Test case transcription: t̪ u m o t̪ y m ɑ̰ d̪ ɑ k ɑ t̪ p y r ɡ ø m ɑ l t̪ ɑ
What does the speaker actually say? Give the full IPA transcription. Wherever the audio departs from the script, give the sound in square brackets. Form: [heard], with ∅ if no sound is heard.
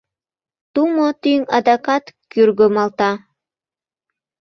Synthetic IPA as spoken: t̪ u m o t̪ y [ŋ] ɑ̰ d̪ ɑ k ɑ t̪ [k] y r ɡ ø m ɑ l t̪ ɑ